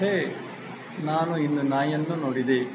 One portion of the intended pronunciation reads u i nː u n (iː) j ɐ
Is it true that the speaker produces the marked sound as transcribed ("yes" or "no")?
no